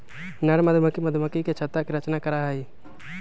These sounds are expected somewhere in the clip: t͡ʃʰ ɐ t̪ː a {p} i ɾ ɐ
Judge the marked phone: incorrect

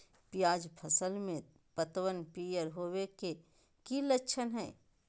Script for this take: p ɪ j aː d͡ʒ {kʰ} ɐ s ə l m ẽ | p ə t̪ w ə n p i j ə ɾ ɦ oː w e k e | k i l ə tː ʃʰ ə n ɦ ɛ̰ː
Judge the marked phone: incorrect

